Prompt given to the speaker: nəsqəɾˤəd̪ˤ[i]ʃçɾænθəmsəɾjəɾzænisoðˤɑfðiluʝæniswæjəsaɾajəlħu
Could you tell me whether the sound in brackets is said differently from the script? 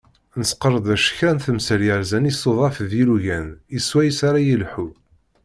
yes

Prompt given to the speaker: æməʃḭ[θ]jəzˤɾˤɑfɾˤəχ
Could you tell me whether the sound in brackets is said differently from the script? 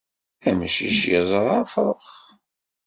yes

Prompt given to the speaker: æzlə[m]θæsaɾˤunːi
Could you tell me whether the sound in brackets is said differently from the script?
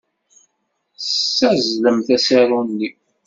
no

